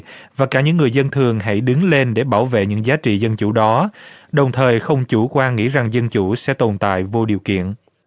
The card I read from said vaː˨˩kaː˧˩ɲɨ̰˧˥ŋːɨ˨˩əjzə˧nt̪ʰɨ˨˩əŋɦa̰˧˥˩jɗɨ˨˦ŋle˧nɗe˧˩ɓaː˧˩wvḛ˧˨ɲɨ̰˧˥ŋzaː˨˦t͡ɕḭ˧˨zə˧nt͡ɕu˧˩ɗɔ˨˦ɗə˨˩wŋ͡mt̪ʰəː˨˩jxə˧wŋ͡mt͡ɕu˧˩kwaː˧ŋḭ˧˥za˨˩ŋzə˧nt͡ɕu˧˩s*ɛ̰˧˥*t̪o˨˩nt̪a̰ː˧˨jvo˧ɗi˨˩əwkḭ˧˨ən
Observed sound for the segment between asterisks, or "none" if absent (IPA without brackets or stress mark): ɛ̰˧˥